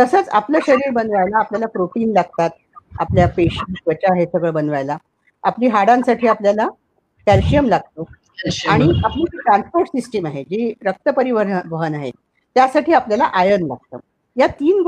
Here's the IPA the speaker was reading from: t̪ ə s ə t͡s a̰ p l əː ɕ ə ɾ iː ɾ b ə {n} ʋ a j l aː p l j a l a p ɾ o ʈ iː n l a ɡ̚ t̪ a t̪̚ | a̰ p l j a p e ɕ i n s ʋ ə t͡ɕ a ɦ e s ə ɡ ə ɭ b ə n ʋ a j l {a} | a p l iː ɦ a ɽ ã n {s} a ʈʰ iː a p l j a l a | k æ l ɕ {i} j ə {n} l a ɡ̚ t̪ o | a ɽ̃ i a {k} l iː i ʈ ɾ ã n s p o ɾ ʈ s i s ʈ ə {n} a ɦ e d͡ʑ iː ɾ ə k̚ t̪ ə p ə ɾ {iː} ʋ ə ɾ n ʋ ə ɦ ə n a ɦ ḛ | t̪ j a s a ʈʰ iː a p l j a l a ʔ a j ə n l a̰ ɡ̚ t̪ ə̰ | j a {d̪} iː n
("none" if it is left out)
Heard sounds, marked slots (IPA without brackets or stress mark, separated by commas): n, a, s, i, m, p, m, i, t̪